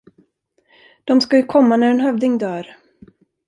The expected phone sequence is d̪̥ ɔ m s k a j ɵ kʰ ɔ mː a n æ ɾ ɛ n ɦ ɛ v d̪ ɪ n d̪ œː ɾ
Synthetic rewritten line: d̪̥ ɔ m s k a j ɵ kʰ ɔ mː a n æ ɾ ɛ n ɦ œ v d̪ ɪ ŋ d̪ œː ɾ

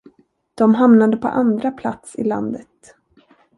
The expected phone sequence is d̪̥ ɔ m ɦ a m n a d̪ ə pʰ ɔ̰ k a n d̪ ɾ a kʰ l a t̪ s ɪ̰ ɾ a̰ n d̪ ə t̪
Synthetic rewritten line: d̪̥ ɔ m ɦ a m n a d̪ ə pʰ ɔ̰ ʔ a n d̪ ɾ a pʰ l a t̪ s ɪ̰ l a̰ n d̪ ə t̪

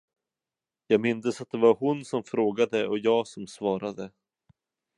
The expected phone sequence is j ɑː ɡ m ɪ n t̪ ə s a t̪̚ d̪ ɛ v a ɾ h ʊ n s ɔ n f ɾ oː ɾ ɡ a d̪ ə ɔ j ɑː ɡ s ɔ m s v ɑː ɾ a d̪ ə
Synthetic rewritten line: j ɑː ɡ m ɪ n d̪ ə s a t̪̚ d̪ ɛ v a ɾ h ʊ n s ɔ m f ɾ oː ɡ a d̪ ə ɔ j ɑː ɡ s ɔ m s v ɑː ɾ a d̪ ə

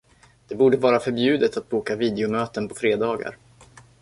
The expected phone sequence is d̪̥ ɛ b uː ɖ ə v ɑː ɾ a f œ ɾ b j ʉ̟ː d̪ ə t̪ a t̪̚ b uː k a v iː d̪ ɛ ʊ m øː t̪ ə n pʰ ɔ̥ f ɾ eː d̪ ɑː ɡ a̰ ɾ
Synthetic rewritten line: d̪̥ ɛ b uː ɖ ə v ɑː ɾ a f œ ɾ b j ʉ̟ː d̪ ə t̪ a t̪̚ b uː k a v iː d̪ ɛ ʊ m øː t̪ ə n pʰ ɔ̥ f ɾ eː d̪ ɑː ɡ a̰ ɾ

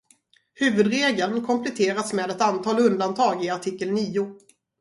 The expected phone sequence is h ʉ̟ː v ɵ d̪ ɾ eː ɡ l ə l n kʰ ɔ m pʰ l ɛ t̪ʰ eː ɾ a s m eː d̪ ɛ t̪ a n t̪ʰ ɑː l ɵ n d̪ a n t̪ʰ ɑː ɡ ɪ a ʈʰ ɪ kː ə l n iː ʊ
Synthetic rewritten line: h ʉ̟ː v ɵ d̪ ɾ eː ɡ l ə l n kʰ ɔ m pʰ l ɛ t̪ʰ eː ɾ a s m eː d̪ ɛ t̪ a n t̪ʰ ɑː l ɵ n d̪ a n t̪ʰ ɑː ɡ ɪ a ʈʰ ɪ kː ə l n iː ʊ

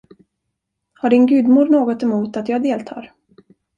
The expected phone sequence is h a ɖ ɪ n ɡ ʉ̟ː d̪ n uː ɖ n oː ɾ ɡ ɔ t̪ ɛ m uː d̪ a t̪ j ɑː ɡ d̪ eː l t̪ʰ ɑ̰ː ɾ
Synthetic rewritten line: h a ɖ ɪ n ɡ ʉ̟ː d̪ m uː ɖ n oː ɡ ɔ t̪ ɛ m uː t̪ a t̪ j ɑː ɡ d̪ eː l t̪ʰ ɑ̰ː ɾ

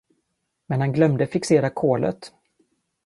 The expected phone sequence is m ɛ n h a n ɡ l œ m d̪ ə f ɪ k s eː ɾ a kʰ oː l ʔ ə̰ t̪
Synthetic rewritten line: m ɛ n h a n ɡ l œ m d̪ ə f ɪ k s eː ɾ a kʰ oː l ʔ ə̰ t̪

